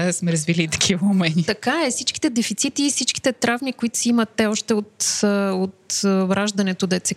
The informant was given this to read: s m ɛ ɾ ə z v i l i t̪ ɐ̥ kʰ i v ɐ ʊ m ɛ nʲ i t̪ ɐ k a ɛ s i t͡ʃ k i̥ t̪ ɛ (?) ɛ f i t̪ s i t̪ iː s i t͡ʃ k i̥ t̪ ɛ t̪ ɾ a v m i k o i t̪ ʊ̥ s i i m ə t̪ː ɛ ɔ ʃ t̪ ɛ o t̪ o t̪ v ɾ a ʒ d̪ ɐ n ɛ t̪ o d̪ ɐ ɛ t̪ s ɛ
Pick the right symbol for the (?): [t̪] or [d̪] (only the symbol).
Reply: d̪